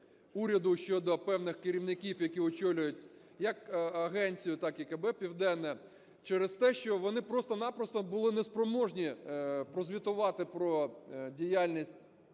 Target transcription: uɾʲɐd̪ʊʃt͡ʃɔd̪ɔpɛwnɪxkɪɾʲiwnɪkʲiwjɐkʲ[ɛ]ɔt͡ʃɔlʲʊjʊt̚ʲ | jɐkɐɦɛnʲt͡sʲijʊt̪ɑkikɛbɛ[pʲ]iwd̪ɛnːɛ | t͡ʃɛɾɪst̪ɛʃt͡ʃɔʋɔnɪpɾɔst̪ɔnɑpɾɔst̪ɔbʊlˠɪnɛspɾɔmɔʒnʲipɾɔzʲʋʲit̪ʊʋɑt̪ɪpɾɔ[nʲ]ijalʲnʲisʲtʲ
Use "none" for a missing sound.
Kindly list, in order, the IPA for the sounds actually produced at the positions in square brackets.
i, pʲ, dʲ

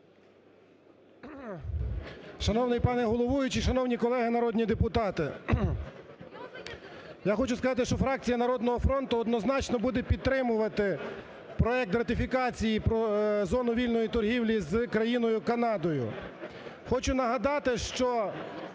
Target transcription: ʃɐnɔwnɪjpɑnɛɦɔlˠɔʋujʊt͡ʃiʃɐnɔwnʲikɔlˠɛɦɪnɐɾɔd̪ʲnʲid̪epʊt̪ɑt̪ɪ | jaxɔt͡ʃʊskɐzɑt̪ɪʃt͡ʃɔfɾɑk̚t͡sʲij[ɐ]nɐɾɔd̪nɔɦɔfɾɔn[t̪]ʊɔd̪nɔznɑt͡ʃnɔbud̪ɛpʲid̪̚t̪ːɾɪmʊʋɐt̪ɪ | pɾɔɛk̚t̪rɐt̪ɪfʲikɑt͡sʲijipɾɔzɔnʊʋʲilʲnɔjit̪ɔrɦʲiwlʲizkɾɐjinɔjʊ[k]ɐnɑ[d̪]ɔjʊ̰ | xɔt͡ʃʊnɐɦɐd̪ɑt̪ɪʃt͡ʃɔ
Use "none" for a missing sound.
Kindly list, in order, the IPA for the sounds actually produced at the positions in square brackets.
ɐ, t̪, k, d̪

